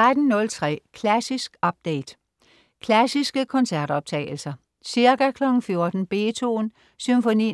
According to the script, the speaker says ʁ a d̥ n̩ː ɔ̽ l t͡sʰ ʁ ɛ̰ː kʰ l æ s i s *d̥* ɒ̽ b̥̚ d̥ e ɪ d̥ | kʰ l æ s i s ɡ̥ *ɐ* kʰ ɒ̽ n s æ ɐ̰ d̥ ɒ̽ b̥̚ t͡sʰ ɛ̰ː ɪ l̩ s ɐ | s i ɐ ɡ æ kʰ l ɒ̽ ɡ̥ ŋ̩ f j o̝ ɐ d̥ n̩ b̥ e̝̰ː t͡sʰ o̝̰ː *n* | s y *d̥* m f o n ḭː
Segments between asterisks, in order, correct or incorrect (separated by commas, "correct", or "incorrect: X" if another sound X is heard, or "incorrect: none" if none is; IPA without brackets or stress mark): incorrect: ɡ̥, incorrect: ə, correct, incorrect: none